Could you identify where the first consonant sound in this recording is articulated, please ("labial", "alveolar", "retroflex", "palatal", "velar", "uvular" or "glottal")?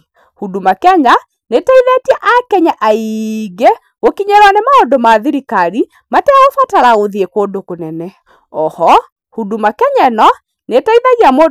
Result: glottal